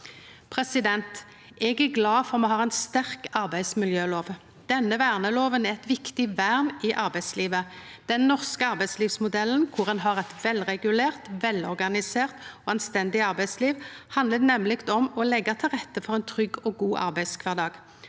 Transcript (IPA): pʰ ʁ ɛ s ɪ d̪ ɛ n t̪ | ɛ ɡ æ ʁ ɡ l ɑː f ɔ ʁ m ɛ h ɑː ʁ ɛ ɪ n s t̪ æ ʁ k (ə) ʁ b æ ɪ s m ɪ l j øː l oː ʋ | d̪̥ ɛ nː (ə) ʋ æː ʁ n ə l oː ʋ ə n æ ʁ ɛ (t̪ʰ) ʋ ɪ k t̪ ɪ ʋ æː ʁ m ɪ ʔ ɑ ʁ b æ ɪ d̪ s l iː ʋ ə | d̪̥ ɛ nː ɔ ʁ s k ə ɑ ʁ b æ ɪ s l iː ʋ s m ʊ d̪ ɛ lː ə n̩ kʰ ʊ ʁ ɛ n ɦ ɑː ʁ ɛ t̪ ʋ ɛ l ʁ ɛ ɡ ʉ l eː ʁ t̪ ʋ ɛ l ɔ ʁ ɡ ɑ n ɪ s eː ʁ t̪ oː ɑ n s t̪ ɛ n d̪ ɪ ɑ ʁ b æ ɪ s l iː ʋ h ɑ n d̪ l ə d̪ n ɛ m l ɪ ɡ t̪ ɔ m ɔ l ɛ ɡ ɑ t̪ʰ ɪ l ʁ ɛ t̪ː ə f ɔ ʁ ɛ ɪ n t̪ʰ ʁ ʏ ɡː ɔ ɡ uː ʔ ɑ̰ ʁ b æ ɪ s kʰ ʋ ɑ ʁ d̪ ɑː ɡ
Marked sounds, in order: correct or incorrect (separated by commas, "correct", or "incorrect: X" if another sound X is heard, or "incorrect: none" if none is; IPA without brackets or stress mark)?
incorrect: ɑ, correct, incorrect: t̪